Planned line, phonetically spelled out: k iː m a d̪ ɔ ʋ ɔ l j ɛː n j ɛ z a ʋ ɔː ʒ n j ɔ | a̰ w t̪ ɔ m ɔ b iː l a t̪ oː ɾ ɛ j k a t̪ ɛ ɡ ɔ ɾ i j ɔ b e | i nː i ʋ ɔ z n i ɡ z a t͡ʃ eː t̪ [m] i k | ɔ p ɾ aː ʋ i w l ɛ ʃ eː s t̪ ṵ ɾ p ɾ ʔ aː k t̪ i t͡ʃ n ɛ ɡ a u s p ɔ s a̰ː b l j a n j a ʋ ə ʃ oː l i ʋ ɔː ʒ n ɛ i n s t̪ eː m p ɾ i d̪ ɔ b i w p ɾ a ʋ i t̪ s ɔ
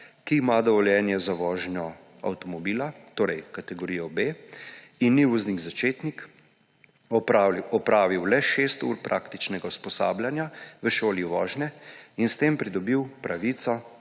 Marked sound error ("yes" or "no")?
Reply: yes